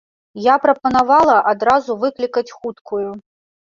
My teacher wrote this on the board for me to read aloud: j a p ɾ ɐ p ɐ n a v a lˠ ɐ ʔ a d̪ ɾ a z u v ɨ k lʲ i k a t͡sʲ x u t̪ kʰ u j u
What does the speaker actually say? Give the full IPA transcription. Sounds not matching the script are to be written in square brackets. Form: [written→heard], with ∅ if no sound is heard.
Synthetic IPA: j a p ɾ ɐ p ɐ n a v a lˠ ɐ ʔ a d̪ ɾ a z u v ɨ k lʲ i k [a→ɐ] t͡sʲ x u t̪ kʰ u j u